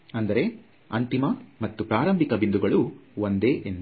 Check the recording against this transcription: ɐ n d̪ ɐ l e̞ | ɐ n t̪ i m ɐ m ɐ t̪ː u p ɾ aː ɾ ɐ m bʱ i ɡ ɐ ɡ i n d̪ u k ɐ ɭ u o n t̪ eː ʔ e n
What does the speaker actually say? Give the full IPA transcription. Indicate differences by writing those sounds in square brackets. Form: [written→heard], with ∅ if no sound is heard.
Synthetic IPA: ɐ n d̪ ɐ [l→ɾ] e̞ | ɐ n t̪ i m ɐ m ɐ t̪ː u p ɾ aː ɾ ɐ m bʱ i [ɡ→k] ɐ [ɡ→b] i n d̪ u [k→ɡ] ɐ ɭ u o n [t̪→d̪] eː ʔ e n

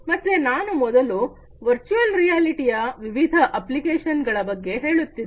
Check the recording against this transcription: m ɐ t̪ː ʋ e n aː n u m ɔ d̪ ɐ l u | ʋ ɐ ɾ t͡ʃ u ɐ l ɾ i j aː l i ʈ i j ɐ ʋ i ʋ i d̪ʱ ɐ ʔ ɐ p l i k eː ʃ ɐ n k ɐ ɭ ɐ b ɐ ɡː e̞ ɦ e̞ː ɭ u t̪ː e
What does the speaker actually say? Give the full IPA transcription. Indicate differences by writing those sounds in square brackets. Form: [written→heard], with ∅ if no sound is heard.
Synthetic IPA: m ɐ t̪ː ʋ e n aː n u m ɔ d̪ ɐ l u | ʋ ɐ ɾ t͡ʃ u ɐ l ɾ i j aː l i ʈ i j ɐ ʋ i ʋ i d̪ʱ ɐ ʔ ɐ p l i k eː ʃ ɐ n [k→ɡ] ɐ ɭ ɐ b ɐ ɡː e̞ ɦ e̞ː ɭ u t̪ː [e→i]

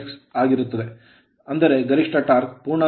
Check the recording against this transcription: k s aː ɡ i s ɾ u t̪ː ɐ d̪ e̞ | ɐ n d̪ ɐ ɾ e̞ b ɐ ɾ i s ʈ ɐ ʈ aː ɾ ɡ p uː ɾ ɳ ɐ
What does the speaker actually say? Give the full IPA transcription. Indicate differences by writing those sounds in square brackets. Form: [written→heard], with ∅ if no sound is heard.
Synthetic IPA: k s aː ɡ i [s→∅] ɾ u t̪ː ɐ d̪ e̞ | ɐ n d̪ ɐ ɾ e̞ [b→ɡ] ɐ ɾ i [s→ʂ] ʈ ɐ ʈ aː ɾ [ɡ→k] p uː ɾ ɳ ɐ

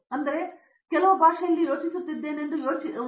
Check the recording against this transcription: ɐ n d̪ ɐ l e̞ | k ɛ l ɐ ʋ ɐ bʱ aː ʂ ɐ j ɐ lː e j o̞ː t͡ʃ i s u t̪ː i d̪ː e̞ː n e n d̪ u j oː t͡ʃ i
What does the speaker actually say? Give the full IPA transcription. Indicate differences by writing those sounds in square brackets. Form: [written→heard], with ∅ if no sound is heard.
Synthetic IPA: ɐ n d̪ ɐ [l→ɾ] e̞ | k ɛ l ɐ ʋ ɐ bʱ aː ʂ ɐ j ɐ lː [e→i] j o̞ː t͡ʃ i s u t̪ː i d̪ː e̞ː n e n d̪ u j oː t͡ʃ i

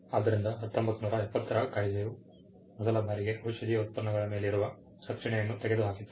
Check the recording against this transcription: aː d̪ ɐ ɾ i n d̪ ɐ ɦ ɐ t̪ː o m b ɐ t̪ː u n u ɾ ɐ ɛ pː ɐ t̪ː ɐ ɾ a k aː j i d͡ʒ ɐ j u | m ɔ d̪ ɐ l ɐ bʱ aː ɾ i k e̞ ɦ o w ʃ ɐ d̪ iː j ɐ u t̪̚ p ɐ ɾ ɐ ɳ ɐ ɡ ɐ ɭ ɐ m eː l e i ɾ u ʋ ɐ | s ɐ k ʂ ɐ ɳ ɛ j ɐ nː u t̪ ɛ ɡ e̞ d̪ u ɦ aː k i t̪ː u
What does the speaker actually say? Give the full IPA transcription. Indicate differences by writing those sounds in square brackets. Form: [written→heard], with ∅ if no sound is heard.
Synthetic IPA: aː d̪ ɐ ɾ i n d̪ ɐ ɦ ɐ t̪ː o m b ɐ t̪ː u n [u→uː] ɾ ɐ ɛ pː ɐ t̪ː ɐ ɾ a k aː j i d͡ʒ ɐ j u | m ɔ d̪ ɐ l ɐ bʱ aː ɾ i [k→ɡ] e̞ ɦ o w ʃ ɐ d̪ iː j ɐ u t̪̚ p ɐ ɾ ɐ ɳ ɐ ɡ ɐ ɭ ɐ m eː l e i ɾ u ʋ ɐ | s ɐ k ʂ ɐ ɳ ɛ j ɐ nː u t̪ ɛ ɡ e̞ d̪ u ɦ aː k i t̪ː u

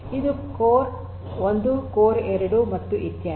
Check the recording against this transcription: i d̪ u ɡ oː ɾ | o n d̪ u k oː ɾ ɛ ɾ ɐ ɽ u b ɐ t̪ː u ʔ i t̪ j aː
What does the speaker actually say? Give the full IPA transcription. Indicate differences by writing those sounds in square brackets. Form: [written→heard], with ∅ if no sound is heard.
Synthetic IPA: i d̪ u [ɡ→k] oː ɾ | o n d̪ u k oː ɾ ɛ ɾ ɐ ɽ u [b→m] ɐ t̪ː u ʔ i t̪ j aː

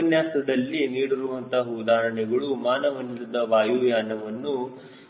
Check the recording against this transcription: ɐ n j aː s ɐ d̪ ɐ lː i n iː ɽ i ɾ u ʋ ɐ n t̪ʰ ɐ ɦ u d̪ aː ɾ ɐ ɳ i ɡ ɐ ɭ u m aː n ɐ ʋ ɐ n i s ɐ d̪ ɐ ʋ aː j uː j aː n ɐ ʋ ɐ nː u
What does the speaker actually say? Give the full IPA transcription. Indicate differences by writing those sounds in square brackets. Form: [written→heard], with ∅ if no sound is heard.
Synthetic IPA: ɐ n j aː s ɐ d̪ ɐ lː i n iː ɽ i ɾ u ʋ ɐ n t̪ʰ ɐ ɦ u d̪ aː ɾ ɐ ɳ [i→ɛ] ɡ ɐ ɭ u m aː n ɐ ʋ ɐ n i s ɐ d̪ ɐ ʋ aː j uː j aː n ɐ ʋ ɐ nː u

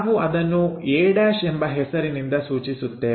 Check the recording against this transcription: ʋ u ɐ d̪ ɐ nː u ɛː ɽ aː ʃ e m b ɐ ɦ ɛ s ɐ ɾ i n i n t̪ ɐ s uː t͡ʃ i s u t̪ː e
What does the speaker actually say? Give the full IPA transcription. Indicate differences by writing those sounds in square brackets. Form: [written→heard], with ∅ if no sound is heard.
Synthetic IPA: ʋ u ɐ d̪ ɐ nː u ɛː ɽ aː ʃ e m b ɐ ɦ ɛ s ɐ ɾ i n i n [t̪→d̪] ɐ s uː t͡ʃ i s u t̪ː e

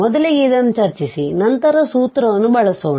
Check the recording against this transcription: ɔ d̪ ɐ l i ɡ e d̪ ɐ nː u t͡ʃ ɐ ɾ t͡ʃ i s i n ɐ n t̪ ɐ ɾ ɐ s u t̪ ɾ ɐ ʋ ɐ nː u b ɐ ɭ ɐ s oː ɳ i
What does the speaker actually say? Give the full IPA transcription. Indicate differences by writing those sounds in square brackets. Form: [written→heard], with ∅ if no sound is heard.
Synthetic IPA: ɔ d̪ ɐ l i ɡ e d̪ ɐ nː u t͡ʃ ɐ ɾ t͡ʃ i s i n ɐ n t̪ ɐ ɾ ɐ s [u→uː] t̪ ɾ ɐ ʋ ɐ nː u b ɐ ɭ ɐ s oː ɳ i

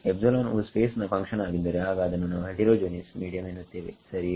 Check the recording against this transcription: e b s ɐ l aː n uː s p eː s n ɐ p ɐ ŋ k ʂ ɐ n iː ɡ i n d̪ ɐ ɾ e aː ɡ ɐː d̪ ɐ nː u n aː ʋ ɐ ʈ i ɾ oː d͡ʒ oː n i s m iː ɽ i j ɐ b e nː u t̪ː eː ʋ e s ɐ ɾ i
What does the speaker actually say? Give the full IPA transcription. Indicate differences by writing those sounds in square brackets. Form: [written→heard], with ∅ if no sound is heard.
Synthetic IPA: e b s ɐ l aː n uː s p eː s n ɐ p ɐ ŋ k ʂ ɐ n [iː→aː] ɡ i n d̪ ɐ ɾ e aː ɡ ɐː d̪ ɐ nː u n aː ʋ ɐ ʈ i ɾ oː d͡ʒ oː n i s m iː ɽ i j ɐ [b→m] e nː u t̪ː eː ʋ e s ɐ ɾ i

